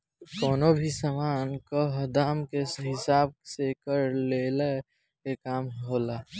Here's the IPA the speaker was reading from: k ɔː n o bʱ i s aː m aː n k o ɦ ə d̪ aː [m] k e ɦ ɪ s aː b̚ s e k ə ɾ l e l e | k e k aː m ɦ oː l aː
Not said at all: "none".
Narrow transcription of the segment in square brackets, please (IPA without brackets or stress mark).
m